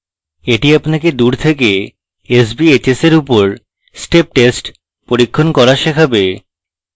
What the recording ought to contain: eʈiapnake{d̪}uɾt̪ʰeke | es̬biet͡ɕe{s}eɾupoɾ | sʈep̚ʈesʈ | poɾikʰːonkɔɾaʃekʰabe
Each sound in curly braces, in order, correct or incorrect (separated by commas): correct, correct